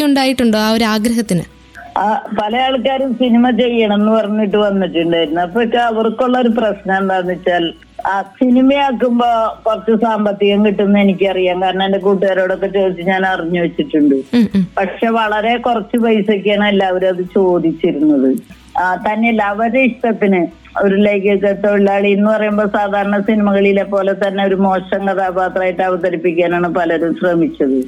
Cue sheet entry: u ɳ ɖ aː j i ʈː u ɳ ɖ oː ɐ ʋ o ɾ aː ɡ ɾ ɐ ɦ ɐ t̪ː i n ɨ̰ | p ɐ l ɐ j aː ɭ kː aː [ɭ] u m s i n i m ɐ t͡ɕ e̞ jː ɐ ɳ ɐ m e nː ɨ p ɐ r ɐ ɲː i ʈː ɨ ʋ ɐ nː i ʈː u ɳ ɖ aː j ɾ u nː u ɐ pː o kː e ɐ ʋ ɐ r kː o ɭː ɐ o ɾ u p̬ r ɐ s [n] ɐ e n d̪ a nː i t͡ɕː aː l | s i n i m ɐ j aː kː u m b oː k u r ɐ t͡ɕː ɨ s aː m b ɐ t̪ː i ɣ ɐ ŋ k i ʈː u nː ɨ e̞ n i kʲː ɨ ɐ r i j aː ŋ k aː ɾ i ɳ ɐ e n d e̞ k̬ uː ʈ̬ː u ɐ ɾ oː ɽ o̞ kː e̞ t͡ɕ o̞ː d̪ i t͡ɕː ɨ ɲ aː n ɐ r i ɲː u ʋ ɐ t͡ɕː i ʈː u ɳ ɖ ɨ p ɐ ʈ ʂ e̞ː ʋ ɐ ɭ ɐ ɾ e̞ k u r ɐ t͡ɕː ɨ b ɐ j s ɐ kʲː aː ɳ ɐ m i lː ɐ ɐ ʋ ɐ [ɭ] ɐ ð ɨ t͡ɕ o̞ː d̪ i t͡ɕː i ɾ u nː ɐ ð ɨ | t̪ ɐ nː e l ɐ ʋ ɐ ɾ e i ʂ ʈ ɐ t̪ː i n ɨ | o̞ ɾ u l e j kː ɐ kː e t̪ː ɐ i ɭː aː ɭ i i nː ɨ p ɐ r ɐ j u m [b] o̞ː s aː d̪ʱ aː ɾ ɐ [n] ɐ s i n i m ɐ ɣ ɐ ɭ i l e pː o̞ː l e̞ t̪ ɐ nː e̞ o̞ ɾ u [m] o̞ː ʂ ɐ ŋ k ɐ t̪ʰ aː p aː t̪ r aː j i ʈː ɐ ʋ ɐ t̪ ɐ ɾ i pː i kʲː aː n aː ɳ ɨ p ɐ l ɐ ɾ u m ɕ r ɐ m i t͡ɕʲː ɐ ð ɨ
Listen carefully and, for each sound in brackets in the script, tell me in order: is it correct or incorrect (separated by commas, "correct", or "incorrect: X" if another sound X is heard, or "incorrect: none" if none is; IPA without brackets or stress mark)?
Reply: incorrect: ɾ, correct, incorrect: ɾ, correct, incorrect: ɳ, correct